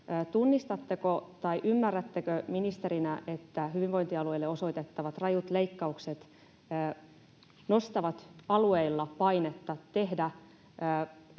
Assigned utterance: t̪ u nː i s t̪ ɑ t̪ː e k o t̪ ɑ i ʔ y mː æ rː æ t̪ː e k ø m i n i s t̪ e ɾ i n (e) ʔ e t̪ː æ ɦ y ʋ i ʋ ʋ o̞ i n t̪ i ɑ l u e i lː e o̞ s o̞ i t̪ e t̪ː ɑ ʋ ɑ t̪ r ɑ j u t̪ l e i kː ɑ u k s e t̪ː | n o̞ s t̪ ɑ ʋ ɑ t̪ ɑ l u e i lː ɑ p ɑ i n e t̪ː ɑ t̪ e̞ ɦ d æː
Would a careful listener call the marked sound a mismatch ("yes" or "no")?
yes